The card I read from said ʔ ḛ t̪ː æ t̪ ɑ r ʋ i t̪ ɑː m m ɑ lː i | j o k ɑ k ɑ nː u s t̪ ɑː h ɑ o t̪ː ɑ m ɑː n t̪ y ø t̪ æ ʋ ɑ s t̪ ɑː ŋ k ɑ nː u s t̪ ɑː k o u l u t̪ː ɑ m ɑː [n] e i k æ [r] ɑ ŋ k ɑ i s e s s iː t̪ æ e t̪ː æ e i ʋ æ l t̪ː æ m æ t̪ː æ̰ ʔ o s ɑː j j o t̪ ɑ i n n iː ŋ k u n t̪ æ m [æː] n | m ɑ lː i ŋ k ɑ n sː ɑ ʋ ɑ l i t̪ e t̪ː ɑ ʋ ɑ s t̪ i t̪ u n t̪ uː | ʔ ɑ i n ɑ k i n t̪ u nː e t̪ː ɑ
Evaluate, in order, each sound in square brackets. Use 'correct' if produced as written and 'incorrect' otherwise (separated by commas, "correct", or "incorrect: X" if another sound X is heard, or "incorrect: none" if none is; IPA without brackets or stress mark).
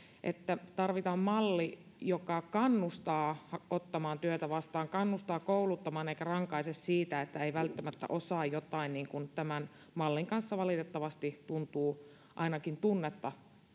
correct, correct, incorrect: æ